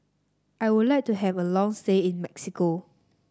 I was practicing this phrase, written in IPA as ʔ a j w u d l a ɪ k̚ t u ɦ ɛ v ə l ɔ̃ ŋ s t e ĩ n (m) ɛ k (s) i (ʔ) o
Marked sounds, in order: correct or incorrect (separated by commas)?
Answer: correct, correct, incorrect